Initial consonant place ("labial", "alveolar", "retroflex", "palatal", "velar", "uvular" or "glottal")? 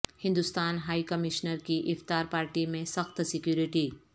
glottal